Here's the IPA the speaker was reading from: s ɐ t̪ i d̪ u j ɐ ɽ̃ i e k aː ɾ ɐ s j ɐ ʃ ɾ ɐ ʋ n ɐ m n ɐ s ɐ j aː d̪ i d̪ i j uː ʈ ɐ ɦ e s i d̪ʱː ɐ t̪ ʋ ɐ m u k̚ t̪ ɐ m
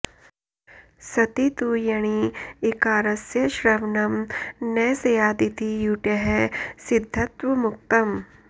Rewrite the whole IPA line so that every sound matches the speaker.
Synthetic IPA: s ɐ t̪ i t̪ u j ɐ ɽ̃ i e k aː ɾ ɐ s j ɐ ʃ ɾ ɐ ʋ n ɐ m n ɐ s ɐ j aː d̪ i t̪ i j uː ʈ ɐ ɦ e s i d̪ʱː ɐ t̪ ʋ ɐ m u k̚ t̪ ɐ m